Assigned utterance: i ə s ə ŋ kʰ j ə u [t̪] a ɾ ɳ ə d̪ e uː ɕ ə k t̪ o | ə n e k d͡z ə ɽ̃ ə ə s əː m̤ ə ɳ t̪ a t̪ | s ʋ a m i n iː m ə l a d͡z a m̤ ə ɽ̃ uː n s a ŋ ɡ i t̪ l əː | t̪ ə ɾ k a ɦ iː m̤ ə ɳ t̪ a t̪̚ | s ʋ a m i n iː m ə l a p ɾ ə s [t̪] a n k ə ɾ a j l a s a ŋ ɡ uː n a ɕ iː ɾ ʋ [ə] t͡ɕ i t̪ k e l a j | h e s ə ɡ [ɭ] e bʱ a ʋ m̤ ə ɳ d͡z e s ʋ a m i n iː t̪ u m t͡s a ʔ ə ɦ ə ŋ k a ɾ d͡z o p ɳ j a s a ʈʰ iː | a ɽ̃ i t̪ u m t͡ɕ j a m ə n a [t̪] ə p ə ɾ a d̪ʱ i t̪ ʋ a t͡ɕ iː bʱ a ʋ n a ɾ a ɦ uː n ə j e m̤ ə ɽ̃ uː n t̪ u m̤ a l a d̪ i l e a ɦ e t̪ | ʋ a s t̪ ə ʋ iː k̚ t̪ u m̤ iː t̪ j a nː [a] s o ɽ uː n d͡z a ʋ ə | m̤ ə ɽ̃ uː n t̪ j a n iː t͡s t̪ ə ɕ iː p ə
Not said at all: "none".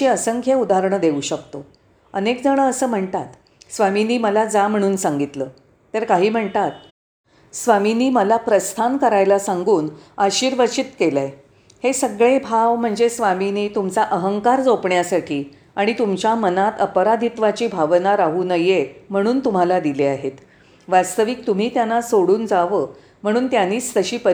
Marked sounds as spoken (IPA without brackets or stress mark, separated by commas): d̪, t̪ʰ, ə, ɭ, t̪, a